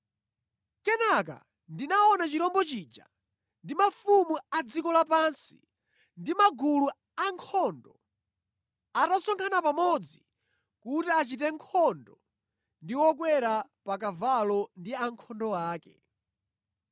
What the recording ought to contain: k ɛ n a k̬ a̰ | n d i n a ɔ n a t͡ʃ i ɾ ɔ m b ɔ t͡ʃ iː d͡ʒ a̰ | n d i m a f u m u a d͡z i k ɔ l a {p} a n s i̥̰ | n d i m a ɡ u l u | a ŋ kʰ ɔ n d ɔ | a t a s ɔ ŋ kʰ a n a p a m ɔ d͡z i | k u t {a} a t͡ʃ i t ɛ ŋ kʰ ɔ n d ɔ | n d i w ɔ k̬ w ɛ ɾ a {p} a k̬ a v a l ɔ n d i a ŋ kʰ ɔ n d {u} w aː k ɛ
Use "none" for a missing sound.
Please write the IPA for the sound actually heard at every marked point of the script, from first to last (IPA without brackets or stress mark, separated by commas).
p, i, p, ɔ